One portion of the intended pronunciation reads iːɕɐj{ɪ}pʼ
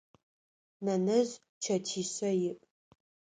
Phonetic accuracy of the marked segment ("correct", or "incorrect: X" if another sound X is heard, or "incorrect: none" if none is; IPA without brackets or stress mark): correct